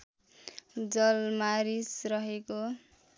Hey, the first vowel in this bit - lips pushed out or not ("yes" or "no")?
no